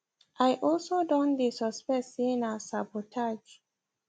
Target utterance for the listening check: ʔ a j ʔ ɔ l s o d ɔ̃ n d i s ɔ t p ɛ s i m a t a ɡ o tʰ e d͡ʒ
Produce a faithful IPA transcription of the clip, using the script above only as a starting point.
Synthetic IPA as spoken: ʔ a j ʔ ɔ l s o d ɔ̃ n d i s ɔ s p ɛ s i n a s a b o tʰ a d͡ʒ